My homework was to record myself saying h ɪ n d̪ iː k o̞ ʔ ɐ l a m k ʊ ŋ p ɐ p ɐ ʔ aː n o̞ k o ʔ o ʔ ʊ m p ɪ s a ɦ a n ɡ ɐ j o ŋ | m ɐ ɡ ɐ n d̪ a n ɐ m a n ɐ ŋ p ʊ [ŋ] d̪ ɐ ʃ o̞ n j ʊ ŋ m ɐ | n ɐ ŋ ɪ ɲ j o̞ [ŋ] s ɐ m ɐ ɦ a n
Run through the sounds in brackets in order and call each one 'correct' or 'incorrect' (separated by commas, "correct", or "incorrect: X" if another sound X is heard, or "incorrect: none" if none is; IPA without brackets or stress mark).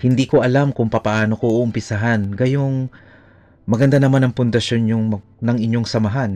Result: incorrect: n, correct